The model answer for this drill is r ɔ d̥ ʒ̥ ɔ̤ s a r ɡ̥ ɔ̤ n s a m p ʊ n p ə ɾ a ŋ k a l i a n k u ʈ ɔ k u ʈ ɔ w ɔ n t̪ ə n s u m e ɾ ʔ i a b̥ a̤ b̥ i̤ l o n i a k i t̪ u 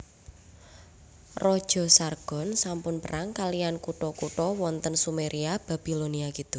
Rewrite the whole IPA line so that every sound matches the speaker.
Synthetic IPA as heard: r ɔ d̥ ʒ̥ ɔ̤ s a r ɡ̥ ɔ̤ n s a m p ʊ n p ə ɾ a ŋ k a l i a n k u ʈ ɔ k u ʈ ɔ w ɔ n t̪ ə n s u m e ɾ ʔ i a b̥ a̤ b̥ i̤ l o n i a k i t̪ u